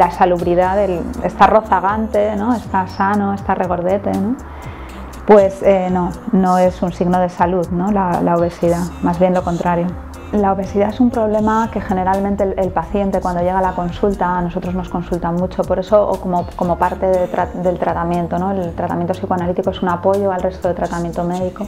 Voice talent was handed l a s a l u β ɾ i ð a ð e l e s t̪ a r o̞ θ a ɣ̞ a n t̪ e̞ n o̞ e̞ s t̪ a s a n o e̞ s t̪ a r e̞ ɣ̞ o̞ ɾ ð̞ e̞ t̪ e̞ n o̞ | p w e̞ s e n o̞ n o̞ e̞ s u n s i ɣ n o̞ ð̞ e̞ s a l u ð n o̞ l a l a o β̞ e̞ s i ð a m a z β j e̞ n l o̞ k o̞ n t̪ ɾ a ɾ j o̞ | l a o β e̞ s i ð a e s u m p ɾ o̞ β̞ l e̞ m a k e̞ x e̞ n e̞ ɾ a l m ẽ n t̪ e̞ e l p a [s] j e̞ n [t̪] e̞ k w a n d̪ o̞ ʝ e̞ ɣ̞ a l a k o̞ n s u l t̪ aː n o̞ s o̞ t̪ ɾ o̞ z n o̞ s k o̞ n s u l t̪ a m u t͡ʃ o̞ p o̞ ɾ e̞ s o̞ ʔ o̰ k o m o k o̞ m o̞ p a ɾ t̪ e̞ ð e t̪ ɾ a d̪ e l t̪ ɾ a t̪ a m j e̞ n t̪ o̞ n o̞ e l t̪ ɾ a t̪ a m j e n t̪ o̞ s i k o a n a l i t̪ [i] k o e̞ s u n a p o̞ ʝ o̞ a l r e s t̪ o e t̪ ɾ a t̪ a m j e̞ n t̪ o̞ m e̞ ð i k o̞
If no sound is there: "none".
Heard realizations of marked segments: θ, t̪, i

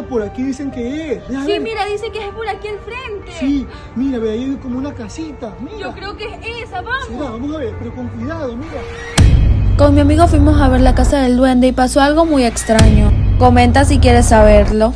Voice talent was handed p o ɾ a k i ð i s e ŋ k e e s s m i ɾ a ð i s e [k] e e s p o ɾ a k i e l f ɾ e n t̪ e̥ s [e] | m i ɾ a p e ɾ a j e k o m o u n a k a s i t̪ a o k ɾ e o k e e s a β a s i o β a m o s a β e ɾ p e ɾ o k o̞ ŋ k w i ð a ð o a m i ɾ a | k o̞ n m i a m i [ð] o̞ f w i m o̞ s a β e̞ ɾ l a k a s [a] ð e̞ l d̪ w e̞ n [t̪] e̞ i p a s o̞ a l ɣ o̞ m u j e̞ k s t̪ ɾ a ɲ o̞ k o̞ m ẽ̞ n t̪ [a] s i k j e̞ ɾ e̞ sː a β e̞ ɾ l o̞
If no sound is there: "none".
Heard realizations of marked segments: k, i, ɣ, a, d̪, a

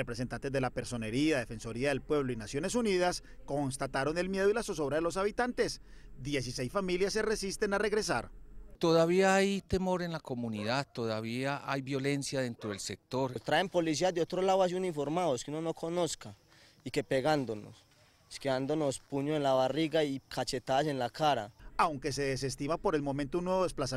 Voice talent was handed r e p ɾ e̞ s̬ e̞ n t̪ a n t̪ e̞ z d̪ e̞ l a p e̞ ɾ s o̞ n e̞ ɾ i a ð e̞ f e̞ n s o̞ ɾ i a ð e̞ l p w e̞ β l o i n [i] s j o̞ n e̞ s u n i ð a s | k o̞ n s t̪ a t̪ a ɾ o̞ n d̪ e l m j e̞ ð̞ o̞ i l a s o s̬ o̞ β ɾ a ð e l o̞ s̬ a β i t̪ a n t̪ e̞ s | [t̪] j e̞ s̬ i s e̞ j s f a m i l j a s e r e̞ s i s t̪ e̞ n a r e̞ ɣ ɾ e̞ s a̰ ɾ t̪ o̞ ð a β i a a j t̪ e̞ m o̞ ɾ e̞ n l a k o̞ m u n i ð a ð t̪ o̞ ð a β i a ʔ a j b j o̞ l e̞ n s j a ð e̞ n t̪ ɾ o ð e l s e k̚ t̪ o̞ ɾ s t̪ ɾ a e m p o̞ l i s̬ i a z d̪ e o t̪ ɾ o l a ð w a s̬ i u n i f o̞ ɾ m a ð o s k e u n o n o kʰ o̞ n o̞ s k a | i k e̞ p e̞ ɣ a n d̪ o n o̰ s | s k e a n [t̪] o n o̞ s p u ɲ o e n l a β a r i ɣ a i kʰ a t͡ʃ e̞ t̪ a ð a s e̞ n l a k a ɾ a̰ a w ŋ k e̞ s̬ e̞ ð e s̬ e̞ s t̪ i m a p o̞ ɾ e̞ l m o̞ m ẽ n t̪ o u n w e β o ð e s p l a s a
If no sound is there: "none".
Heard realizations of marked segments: a, d̪, d̪

